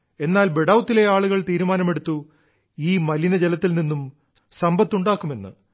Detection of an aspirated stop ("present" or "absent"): absent